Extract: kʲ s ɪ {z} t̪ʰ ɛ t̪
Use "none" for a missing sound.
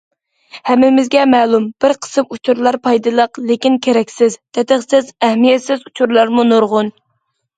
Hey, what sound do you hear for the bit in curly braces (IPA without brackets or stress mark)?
z